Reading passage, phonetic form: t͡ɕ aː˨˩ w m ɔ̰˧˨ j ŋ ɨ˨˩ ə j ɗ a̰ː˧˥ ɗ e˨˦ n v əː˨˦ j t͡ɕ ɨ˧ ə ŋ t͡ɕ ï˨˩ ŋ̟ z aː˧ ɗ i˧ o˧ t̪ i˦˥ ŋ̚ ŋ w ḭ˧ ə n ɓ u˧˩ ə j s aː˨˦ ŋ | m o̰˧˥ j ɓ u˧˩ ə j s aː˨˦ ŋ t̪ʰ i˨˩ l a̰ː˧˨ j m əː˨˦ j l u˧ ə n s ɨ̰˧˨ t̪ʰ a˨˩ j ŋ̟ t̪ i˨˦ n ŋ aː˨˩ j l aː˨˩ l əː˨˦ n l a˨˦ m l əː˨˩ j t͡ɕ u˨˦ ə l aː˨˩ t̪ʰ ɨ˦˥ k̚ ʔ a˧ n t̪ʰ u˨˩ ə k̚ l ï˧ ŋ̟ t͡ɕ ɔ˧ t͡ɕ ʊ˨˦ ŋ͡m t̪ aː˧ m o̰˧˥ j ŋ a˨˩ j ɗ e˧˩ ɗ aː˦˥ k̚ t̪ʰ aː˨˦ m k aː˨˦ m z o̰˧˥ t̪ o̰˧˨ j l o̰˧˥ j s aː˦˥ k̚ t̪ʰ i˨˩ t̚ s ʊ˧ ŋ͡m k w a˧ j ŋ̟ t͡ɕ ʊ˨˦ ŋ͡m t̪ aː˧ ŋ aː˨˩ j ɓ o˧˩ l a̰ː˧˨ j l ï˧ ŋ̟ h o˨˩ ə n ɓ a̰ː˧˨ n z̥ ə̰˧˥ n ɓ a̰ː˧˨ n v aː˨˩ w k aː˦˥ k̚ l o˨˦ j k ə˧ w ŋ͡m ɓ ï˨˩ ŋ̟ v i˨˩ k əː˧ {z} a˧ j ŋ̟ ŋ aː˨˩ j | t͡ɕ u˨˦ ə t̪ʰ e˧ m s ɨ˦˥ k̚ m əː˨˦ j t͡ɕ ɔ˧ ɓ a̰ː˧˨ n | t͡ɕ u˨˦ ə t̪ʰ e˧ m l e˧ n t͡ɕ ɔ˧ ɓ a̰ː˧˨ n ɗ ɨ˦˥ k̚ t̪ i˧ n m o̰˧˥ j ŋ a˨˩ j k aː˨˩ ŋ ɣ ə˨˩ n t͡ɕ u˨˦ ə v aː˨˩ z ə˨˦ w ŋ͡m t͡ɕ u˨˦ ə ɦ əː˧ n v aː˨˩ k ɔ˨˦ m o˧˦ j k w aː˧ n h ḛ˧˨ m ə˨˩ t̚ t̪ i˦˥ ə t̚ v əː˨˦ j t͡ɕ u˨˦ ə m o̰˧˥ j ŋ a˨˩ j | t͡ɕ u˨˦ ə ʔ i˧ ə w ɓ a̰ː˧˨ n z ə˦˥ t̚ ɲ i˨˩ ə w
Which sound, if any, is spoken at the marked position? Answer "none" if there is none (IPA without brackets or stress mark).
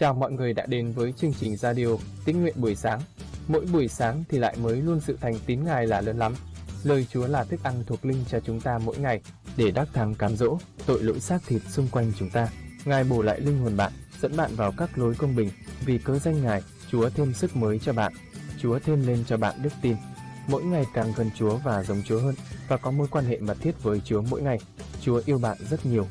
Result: z